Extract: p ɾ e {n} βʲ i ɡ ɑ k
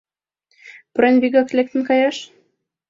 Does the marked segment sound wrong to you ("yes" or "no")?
no